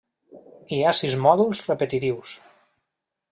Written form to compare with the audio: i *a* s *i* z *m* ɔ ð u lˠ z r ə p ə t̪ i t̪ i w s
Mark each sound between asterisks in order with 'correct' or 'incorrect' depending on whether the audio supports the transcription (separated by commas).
correct, correct, correct